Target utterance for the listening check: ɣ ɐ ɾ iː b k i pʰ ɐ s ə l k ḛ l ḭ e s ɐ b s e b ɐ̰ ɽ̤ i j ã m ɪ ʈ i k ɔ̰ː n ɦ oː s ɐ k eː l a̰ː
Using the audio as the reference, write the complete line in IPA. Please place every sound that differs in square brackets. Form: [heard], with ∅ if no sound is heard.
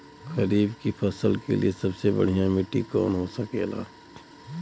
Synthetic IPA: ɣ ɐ ɾ iː b k i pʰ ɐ s ə l k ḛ l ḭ e s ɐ b s e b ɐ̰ ɽ̤ i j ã m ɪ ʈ i k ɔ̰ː n ɦ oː s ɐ k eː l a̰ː